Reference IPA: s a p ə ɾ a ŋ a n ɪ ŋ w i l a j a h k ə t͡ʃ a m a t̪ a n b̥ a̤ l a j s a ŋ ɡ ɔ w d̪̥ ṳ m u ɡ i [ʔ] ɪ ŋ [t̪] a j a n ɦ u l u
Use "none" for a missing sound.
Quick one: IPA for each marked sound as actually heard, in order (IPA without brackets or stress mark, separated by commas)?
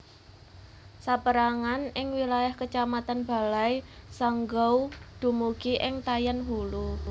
ʔ, t̪